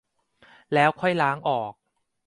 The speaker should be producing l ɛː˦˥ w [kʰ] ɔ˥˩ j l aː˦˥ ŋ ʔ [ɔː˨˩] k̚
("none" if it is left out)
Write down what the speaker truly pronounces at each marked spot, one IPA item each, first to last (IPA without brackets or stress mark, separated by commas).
kʰ, ɔː˨˩